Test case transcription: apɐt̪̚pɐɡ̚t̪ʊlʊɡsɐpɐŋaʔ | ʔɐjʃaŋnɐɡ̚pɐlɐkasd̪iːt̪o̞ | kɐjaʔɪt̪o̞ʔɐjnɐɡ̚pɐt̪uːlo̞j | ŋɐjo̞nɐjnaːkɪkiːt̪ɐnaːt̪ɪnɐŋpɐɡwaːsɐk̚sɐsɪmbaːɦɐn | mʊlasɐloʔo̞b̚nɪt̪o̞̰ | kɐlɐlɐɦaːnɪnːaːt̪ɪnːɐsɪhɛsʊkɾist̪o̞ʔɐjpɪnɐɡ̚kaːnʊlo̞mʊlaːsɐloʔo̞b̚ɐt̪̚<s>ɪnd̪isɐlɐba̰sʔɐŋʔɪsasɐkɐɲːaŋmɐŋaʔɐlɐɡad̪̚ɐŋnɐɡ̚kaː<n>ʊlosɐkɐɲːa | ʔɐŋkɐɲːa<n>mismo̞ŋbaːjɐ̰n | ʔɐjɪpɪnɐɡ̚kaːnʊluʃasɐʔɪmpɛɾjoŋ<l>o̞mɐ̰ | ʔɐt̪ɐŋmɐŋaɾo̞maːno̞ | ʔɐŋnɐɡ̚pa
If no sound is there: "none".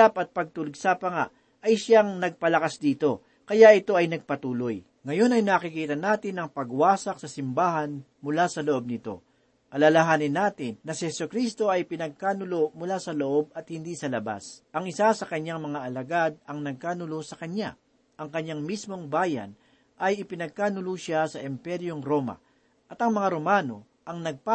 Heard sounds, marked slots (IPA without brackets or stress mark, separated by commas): h, n, ŋ, ɾ